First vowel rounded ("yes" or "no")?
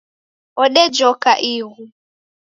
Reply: yes